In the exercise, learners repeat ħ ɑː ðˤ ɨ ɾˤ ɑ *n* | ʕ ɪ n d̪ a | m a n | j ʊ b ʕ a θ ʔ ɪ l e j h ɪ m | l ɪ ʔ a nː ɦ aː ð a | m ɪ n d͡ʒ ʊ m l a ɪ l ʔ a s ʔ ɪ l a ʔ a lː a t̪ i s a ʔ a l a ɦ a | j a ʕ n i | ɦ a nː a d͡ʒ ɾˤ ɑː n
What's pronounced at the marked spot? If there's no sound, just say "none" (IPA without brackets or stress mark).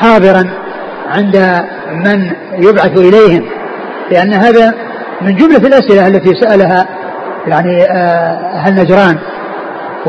n